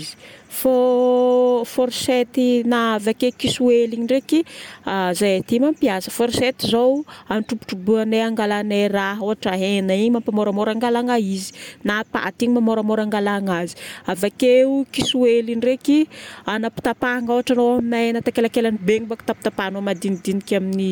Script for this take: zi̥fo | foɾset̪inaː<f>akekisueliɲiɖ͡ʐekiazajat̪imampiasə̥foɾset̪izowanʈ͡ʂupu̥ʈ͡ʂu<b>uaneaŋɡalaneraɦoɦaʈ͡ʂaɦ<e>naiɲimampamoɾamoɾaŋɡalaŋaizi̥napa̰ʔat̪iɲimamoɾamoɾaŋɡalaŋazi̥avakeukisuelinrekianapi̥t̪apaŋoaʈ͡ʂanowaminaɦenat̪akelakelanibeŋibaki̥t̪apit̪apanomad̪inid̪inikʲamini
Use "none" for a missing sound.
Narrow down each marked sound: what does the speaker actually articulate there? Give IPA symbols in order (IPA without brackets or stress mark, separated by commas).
v, b, e